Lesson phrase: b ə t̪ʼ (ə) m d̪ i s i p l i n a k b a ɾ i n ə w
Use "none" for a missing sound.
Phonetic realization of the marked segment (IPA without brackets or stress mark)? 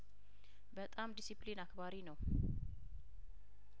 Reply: a